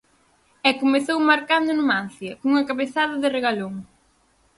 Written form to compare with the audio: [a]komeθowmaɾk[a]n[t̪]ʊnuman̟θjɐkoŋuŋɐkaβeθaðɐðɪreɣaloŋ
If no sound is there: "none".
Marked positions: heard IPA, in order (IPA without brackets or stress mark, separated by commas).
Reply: ɛ, a, d̪